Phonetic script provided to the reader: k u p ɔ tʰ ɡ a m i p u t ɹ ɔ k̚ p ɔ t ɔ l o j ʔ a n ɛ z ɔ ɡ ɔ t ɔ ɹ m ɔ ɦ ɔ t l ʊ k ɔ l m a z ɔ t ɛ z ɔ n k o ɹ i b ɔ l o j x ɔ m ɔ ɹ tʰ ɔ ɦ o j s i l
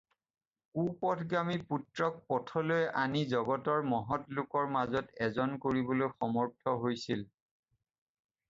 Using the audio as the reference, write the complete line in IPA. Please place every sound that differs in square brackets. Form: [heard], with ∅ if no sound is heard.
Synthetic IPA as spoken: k u p ɔ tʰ ɡ a m i p u t ɹ ɔ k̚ p ɔ [tʰ] ɔ l o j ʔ a n [i] z ɔ ɡ ɔ t ɔ ɹ m ɔ ɦ ɔ t l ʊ k ɔ [ɹ] m a z ɔ t ɛ z ɔ n k o ɹ i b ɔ l o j x ɔ m ɔ ɹ tʰ ɔ ɦ o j s i l